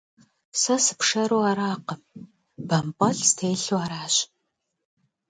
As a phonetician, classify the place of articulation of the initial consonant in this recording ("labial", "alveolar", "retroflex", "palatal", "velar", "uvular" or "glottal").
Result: alveolar